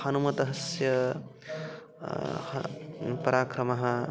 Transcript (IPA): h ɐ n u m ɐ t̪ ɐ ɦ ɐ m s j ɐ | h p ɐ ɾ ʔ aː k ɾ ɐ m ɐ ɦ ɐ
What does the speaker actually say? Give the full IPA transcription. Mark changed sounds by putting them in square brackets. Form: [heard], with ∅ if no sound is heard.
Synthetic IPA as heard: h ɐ n u m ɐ t̪ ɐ ɦ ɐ [∅] s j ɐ | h p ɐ ɾ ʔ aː k ɾ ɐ m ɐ ɦ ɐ